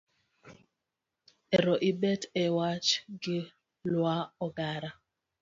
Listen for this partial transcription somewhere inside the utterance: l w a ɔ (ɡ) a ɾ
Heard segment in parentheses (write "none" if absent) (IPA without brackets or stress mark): ɡ